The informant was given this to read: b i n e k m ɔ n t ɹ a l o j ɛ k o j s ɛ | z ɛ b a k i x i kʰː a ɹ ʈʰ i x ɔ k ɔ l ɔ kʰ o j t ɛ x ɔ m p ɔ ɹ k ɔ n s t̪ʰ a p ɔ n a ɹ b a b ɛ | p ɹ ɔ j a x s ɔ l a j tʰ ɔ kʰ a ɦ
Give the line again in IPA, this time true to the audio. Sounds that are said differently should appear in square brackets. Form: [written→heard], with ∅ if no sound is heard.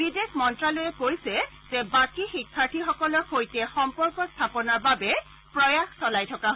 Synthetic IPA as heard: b i [n→d] e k m ɔ n t ɹ a l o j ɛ k o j s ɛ | z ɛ b a k i x i kʰː a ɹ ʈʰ i x ɔ k ɔ l ɔ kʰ o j t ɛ x ɔ m p ɔ ɹ k ɔ [n→∅] s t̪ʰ a p ɔ n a ɹ b a b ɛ | p ɹ ɔ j a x s ɔ l a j tʰ ɔ [kʰ→k] a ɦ